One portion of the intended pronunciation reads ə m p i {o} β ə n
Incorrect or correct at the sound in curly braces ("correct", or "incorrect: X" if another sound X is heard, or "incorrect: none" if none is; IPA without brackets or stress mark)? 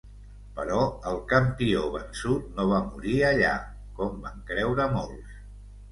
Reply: correct